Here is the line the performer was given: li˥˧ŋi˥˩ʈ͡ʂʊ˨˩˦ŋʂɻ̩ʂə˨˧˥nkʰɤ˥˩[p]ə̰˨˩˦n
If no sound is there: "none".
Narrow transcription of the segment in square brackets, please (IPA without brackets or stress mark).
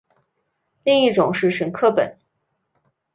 p